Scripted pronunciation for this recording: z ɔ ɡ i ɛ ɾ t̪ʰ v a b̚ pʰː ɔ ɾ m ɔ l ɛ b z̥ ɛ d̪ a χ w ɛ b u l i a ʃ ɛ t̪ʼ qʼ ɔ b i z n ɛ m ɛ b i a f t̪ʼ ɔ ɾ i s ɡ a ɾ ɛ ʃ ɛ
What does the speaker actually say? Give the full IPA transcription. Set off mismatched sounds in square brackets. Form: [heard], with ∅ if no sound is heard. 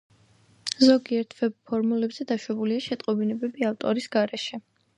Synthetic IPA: z ɔ ɡ i ɛ ɾ t̪ʰ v [ɛ] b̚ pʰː ɔ ɾ m [u] l ɛ b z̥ ɛ d̪ a [ʃ] w ɛ b u l i a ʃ ɛ t̪ʼ qʼ ɔ b i [∅] n ɛ [b] ɛ b i a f t̪ʼ ɔ ɾ i s ɡ a ɾ ɛ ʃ ɛ